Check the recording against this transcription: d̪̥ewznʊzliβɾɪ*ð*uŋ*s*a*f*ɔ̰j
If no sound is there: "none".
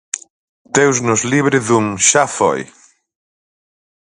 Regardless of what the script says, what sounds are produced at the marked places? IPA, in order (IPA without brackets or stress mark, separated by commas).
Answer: ð, ʃ, f